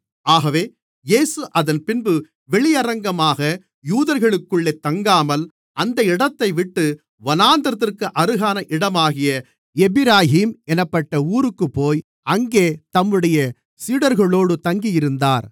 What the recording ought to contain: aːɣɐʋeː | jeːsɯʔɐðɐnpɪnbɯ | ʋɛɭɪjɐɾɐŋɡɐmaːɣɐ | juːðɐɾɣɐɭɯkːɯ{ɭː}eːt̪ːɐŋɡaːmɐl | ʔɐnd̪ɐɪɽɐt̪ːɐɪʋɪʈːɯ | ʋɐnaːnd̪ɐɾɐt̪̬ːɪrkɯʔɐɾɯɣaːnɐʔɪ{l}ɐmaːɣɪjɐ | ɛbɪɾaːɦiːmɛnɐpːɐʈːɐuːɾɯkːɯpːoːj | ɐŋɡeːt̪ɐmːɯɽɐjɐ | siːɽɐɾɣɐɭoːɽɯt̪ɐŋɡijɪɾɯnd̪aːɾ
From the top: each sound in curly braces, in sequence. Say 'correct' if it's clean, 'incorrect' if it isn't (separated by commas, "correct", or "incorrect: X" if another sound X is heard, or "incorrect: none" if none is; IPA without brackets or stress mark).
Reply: correct, incorrect: ɽ